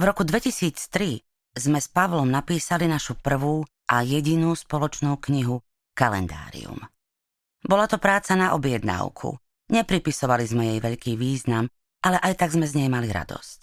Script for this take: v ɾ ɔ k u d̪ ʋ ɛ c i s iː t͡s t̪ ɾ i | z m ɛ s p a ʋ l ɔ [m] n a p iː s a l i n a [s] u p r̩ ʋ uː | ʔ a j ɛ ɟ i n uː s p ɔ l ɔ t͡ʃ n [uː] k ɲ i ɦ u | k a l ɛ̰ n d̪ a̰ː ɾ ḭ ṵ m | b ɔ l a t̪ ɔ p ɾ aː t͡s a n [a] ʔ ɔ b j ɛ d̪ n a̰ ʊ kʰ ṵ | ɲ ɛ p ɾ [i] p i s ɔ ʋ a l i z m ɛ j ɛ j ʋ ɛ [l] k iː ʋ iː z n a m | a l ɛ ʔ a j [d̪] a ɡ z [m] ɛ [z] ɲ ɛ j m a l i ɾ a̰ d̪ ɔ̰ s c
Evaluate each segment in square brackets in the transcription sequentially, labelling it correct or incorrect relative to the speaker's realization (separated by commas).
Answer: correct, incorrect, correct, correct, correct, incorrect, incorrect, correct, correct